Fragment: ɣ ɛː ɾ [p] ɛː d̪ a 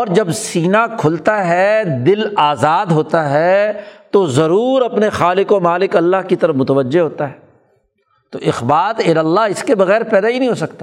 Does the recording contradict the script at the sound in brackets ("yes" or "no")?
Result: no